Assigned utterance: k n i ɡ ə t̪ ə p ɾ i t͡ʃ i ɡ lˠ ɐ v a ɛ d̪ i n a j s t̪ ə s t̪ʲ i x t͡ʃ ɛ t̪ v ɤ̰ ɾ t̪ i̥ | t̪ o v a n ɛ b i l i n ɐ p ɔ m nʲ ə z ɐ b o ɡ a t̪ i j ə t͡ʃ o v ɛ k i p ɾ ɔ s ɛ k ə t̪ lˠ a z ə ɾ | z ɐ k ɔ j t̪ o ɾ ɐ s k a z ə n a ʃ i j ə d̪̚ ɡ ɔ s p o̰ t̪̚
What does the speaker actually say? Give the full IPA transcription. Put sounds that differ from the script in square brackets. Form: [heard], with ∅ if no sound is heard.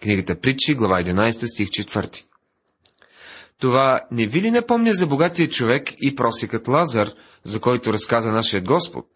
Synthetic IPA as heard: k n i ɡ ə t̪ ə p ɾ i t͡ʃ i ɡ lˠ ɐ v a ɛ d̪ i n a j s t̪ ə s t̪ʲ i x t͡ʃ ɛ t̪ v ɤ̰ ɾ t̪ i̥ | t̪ o v a n ɛ [v] i l i n ɐ p ɔ m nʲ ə z ɐ b o ɡ a t̪ i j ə t͡ʃ o v ɛ k i p ɾ ɔ s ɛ k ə t̪ lˠ a z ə ɾ | z ɐ k ɔ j t̪ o ɾ ɐ s k a z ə n a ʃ i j ə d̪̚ ɡ ɔ s p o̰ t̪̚